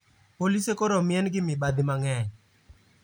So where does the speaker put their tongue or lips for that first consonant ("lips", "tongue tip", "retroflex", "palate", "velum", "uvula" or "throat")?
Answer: lips